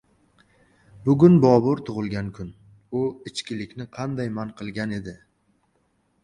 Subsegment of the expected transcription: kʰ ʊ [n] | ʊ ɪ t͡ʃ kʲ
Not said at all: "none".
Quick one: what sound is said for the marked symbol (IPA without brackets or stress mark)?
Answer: n